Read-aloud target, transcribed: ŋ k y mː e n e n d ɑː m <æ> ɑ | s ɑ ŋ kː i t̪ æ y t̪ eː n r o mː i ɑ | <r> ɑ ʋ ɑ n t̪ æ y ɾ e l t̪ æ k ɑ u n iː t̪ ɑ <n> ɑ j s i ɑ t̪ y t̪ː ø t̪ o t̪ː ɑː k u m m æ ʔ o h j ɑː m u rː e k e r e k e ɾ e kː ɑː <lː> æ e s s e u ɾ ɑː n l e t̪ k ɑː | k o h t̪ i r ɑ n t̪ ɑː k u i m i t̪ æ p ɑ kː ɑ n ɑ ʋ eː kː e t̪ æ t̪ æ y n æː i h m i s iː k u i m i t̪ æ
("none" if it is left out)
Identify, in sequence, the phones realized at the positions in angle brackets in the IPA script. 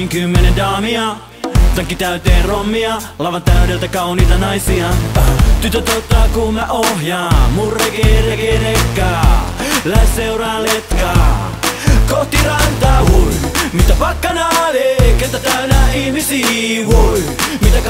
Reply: i, l, n, l

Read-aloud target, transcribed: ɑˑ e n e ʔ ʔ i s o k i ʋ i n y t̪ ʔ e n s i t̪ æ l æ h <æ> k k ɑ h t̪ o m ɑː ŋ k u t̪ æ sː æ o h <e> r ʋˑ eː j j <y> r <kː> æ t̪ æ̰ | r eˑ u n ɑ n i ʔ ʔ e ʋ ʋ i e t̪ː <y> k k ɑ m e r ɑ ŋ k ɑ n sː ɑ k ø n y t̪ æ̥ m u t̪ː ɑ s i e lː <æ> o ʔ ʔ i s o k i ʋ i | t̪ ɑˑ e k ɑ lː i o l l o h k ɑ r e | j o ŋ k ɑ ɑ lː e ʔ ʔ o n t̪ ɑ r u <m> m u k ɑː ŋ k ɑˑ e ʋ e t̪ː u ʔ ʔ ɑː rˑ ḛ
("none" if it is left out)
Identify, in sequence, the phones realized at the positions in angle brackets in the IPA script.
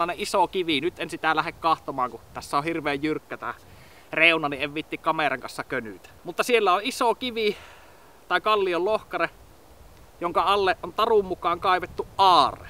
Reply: e, i, y, kː, i, æ, m

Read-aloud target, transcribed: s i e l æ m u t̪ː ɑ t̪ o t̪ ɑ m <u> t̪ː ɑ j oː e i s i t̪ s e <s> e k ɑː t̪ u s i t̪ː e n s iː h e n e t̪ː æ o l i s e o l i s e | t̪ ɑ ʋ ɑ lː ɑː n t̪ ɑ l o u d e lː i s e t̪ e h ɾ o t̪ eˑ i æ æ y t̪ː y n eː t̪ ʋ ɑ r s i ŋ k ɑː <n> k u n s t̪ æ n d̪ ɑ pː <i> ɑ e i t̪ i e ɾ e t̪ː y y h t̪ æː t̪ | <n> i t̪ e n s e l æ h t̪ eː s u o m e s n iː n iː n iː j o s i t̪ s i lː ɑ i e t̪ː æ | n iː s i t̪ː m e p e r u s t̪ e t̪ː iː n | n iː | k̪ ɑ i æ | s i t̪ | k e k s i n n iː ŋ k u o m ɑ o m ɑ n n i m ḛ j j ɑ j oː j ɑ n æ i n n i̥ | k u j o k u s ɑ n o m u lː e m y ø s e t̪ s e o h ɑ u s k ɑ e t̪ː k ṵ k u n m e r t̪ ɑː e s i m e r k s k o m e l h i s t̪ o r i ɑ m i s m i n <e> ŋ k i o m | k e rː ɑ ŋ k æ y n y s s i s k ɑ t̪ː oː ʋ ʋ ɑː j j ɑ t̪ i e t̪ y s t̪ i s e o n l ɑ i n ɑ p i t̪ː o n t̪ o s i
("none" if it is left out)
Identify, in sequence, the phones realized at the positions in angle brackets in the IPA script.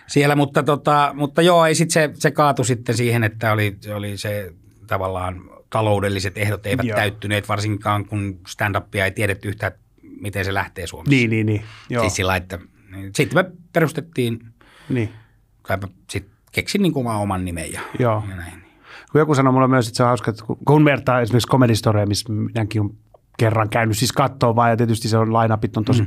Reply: u, s, ŋ, i, m, æ

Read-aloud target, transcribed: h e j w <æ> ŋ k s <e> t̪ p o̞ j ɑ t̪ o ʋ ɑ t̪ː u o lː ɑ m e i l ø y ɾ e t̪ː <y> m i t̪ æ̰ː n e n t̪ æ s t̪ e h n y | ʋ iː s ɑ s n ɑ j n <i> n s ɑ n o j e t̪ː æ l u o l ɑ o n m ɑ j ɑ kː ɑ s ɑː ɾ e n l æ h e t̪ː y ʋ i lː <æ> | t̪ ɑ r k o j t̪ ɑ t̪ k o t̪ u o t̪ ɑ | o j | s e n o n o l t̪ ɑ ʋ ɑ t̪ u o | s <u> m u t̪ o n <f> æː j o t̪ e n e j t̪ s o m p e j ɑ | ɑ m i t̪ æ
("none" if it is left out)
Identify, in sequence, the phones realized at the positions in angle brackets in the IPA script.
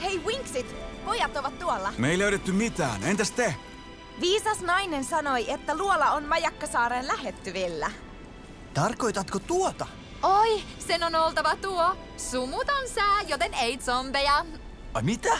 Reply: i, i, y, e, æ, u, s

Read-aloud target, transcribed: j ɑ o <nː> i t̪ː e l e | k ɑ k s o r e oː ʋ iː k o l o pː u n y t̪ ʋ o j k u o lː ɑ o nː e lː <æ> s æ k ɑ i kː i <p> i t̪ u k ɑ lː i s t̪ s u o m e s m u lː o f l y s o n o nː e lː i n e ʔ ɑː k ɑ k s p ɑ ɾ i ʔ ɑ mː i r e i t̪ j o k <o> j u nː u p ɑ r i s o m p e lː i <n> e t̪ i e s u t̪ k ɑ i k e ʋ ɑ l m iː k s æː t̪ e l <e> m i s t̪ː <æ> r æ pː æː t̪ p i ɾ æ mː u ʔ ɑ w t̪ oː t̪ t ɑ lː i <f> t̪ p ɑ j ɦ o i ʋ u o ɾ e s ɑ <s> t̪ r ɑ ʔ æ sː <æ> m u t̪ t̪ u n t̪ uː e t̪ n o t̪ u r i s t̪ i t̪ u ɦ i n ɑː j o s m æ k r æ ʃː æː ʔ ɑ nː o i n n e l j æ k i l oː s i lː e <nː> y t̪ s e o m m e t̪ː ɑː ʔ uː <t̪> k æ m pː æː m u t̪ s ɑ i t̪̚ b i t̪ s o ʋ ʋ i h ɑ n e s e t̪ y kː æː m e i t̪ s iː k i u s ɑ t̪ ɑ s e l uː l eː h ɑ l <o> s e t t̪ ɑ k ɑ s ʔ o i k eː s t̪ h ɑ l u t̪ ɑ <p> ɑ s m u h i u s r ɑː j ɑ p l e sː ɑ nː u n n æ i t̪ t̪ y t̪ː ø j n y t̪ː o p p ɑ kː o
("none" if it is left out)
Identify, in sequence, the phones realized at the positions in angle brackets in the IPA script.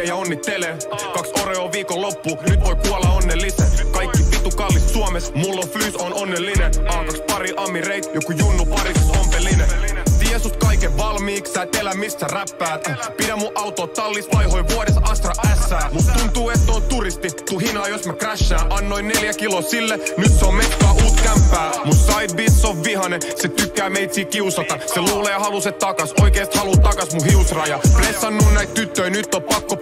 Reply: nː, i, p, u, n, æ, æ, s, s, æː, n, t̪, u, k

